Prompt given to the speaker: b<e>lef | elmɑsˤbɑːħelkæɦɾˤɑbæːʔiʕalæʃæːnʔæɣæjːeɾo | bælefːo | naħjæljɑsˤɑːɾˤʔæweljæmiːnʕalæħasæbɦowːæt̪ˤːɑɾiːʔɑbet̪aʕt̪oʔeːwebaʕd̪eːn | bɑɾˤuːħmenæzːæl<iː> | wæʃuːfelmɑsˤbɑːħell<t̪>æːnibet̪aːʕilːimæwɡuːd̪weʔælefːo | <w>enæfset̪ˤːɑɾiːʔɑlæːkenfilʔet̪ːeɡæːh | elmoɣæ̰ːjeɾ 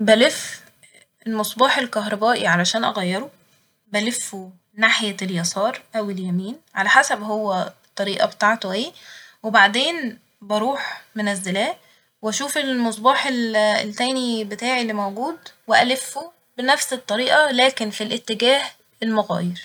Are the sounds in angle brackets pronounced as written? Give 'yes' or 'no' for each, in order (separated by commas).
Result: no, no, yes, no